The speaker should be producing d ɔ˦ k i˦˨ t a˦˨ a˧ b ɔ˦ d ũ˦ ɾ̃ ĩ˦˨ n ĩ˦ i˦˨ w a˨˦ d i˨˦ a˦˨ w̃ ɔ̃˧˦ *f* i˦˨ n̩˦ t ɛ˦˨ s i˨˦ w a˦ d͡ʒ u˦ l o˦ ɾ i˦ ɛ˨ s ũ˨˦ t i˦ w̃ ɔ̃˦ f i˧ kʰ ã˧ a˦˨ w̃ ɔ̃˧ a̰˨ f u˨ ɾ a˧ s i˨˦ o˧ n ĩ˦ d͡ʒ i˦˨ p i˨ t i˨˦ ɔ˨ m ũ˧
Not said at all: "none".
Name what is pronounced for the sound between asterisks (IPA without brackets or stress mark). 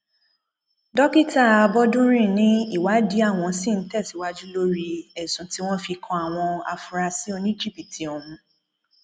s